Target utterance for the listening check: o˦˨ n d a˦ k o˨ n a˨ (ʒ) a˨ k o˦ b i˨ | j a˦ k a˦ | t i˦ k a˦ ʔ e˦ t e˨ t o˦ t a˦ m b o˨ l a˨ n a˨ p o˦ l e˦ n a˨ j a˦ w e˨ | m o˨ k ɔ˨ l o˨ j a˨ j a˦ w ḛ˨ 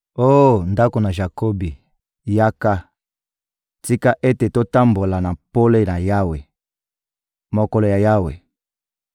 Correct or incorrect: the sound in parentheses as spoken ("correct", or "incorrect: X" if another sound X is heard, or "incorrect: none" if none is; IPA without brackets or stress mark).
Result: correct